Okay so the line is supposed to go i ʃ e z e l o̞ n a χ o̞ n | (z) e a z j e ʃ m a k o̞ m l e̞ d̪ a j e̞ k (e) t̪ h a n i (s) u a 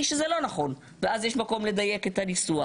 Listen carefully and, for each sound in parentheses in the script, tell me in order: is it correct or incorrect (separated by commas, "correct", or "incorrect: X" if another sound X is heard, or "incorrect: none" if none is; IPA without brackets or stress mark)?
incorrect: v, correct, correct